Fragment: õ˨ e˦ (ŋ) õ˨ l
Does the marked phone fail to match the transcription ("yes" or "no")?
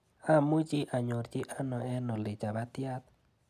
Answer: yes